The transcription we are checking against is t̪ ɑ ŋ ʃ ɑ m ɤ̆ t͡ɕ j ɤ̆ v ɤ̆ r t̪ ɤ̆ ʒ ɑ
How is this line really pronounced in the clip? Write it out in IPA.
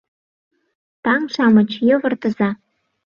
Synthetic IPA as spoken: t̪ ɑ ŋ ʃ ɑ m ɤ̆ t͡ɕ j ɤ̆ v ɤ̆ r t̪ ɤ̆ z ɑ